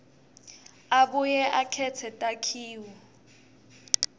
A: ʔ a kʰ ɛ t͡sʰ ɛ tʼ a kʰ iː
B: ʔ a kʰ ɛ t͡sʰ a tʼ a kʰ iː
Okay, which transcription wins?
A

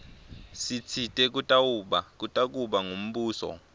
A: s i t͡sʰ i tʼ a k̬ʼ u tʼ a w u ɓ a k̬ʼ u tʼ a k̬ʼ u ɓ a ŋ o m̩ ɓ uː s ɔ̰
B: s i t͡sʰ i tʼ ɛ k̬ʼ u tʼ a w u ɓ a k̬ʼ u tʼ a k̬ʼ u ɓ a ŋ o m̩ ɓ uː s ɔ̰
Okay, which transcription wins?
B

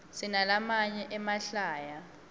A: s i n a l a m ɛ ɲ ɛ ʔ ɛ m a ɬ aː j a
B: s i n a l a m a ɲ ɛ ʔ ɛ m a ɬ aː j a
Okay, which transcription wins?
B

